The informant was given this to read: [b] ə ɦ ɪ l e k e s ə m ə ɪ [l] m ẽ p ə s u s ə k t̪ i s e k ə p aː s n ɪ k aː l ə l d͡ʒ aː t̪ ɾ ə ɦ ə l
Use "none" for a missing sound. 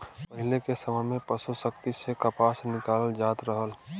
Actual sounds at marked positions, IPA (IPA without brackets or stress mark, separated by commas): p, none